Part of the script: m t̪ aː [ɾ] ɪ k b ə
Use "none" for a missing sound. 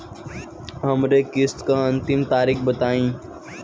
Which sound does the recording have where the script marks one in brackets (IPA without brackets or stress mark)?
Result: ɾ